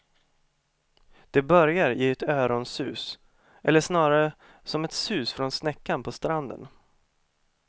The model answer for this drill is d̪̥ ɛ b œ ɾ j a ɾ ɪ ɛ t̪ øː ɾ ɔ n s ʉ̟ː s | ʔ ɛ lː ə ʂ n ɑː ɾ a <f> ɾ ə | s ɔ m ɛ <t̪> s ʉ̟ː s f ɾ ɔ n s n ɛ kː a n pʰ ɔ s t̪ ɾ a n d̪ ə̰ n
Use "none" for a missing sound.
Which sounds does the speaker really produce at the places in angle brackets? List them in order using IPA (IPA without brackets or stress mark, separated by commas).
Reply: none, t̪